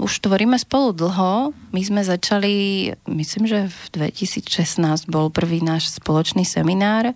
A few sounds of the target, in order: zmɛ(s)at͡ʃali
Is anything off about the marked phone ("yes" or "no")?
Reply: yes